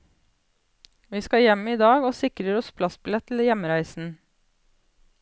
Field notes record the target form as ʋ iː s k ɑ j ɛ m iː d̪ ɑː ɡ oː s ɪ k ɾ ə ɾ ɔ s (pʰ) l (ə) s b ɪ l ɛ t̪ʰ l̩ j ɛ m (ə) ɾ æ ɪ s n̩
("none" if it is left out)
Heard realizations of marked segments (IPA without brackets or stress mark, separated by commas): pʰ, ɑ, ə